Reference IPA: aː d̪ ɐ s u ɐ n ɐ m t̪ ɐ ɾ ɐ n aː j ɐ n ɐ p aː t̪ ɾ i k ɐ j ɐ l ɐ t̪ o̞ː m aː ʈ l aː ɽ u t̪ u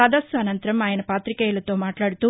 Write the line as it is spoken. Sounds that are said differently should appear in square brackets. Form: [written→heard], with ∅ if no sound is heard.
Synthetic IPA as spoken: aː d̪ ɐ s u ɐ n ɐ [m→n] t̪ ɐ ɾ ɐ [n→m] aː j ɐ n ɐ p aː t̪ ɾ i k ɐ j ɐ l ɐ t̪ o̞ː m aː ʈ l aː ɽ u t̪ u